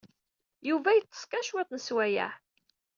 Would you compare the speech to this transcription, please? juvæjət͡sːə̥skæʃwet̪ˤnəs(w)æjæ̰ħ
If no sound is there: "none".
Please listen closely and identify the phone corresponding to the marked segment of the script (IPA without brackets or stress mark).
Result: w